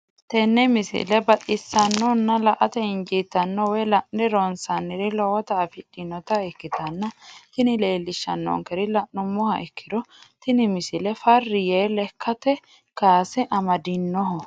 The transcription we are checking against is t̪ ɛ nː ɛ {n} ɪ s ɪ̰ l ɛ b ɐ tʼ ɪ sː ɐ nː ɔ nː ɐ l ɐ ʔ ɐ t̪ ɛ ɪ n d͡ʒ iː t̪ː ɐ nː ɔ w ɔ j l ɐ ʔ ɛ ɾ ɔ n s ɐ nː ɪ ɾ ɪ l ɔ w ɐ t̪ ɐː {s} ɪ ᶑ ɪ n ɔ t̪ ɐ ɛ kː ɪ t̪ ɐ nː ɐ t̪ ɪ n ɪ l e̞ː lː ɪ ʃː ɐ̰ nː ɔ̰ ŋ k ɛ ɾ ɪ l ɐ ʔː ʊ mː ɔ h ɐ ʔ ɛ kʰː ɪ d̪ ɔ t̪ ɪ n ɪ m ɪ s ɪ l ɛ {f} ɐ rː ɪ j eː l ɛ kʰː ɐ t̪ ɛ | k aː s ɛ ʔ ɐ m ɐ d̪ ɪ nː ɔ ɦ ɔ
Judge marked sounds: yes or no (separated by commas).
no, no, yes